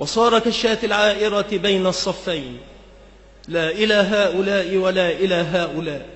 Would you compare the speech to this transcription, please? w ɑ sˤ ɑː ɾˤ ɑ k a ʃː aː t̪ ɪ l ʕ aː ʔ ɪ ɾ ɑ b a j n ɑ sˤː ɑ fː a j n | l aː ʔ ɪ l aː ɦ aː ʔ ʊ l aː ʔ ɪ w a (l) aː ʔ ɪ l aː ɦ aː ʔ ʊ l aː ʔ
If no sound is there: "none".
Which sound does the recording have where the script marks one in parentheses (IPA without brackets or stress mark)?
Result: l